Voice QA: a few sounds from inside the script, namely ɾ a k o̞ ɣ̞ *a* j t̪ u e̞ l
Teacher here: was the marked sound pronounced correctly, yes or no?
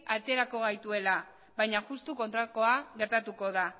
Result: yes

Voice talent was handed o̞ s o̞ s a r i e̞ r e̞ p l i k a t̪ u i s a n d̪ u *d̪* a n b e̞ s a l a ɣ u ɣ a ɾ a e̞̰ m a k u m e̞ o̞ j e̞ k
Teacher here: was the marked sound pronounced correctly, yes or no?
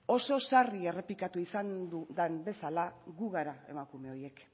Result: yes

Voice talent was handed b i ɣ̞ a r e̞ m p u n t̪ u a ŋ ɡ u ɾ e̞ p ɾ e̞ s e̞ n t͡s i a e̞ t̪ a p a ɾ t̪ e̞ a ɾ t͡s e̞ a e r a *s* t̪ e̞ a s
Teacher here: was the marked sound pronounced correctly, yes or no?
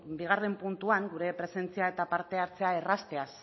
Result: yes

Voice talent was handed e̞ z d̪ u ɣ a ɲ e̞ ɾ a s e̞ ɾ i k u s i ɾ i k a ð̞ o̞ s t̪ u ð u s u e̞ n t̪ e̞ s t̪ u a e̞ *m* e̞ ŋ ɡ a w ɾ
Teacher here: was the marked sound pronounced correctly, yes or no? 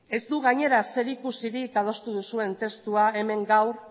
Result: yes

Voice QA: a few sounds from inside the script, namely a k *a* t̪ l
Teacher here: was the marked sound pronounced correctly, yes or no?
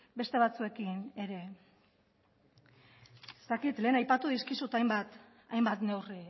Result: no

